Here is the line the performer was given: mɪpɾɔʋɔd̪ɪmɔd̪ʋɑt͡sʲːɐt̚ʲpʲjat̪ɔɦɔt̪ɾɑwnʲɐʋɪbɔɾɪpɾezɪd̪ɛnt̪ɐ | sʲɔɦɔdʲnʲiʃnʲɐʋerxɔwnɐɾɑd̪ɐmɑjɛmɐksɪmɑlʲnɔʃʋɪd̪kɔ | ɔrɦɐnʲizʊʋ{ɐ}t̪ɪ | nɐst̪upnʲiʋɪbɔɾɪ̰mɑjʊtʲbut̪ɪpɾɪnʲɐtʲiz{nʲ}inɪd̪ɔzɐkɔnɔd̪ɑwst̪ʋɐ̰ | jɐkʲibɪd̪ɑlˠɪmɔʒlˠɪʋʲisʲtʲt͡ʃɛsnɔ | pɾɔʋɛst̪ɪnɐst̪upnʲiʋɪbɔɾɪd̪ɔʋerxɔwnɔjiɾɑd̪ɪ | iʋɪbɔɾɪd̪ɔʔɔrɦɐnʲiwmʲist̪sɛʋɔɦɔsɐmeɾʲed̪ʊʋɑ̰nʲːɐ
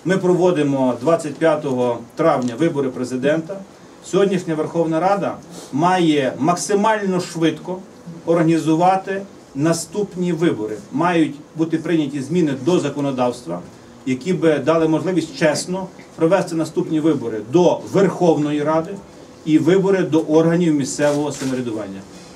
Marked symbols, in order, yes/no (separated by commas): no, no